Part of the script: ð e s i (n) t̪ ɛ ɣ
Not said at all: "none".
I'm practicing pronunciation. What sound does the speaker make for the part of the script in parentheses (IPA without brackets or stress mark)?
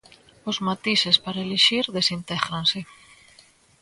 n